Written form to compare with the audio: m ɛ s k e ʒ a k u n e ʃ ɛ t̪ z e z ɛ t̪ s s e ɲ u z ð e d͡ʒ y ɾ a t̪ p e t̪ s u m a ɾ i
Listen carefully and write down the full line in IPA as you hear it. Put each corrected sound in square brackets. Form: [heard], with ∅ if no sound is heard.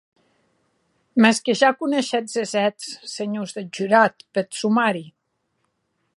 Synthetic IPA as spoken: m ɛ s k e ʒ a k u n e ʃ ɛ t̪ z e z ɛ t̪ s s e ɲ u z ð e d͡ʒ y ɾ a t̪ p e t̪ s u m a ɾ i